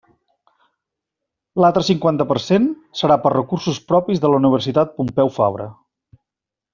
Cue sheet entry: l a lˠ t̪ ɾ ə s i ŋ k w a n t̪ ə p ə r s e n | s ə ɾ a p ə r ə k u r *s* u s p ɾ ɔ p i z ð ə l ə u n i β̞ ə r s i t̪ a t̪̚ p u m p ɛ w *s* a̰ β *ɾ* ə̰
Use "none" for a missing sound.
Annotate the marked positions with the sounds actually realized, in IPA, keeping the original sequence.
s, f, ɾ

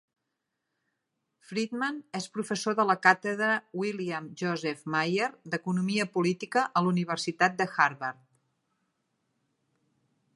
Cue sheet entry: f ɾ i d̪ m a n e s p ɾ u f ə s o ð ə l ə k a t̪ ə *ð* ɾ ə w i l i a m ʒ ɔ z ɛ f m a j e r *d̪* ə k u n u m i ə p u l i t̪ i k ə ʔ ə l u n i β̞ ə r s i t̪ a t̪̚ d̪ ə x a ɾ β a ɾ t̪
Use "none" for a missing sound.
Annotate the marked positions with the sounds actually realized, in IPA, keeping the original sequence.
ð, d̪

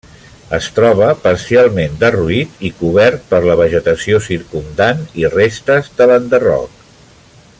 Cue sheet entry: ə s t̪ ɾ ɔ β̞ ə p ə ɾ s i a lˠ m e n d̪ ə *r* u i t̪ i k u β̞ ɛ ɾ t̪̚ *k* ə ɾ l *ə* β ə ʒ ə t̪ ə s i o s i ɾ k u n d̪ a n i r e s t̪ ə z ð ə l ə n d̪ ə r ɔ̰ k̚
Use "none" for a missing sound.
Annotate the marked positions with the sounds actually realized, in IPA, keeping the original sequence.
r, p, ə

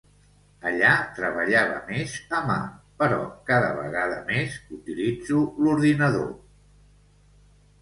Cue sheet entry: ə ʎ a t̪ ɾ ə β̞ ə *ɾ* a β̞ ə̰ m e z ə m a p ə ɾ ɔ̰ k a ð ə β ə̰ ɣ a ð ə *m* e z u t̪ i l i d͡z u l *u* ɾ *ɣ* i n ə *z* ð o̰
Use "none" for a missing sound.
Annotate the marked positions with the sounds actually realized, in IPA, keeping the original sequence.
ʎ, m, u, ð, none

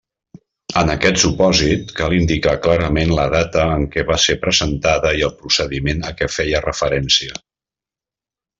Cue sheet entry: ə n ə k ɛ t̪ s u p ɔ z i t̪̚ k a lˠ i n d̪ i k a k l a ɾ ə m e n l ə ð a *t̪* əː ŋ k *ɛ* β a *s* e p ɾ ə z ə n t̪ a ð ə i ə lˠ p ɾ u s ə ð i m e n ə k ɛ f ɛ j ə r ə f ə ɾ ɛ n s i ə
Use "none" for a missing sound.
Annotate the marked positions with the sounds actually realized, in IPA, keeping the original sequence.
t̪, ɛ, s

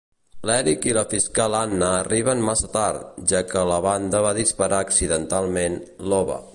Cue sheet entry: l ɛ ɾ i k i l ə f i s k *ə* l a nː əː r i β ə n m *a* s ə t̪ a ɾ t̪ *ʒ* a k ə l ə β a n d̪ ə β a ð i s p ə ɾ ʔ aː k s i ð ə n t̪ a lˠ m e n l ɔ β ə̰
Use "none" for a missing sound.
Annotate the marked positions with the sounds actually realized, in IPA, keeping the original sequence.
a, a, ʒ

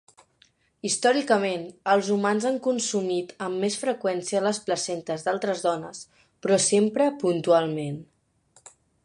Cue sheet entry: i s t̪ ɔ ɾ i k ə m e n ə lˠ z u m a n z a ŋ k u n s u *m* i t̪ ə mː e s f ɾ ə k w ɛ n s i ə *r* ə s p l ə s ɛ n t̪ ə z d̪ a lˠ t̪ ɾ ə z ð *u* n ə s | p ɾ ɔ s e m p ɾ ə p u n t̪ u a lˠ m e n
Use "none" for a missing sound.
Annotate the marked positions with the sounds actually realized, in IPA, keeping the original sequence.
m, l, ɔ

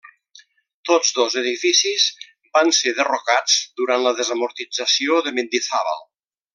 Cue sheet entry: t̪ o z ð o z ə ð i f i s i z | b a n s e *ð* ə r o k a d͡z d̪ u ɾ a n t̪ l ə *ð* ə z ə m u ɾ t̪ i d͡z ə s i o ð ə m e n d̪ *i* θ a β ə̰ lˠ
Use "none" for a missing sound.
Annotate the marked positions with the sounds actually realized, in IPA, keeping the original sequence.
ð, ð, i

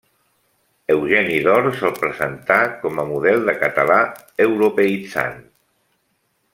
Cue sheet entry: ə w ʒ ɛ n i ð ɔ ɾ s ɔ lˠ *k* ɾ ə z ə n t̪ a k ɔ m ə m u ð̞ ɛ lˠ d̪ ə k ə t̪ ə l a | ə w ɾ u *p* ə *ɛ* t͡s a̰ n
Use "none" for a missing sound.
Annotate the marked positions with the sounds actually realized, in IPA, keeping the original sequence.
p, p, i

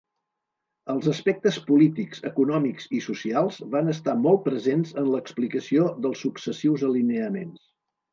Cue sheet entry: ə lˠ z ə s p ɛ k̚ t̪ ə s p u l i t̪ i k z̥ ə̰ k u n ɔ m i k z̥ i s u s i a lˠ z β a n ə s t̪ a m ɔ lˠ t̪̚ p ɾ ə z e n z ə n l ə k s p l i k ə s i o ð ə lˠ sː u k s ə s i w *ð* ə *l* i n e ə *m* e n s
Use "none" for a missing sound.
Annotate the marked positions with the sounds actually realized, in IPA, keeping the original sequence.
z, l, m

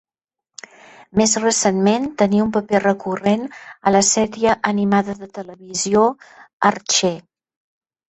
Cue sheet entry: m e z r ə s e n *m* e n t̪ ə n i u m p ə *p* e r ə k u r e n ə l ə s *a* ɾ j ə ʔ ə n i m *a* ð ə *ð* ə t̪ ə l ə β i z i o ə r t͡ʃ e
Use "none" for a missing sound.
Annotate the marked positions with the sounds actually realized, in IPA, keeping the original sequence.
m, p, ɛ, a, ð

